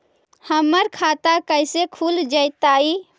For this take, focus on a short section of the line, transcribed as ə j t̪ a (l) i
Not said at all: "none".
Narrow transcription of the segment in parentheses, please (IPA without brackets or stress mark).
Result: none